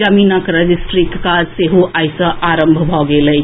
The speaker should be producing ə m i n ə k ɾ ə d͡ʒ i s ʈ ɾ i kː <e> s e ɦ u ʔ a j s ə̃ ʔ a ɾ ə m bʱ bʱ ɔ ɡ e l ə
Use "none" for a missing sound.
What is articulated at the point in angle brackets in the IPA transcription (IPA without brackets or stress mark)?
a